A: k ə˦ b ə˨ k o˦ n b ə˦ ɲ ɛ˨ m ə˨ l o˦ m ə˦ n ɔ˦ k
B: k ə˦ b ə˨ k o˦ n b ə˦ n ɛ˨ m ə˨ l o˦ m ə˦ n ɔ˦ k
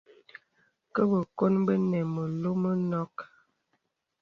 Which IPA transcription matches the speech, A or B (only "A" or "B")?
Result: B